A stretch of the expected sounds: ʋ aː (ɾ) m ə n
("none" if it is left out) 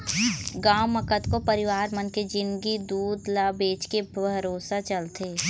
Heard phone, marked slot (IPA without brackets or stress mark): ɾ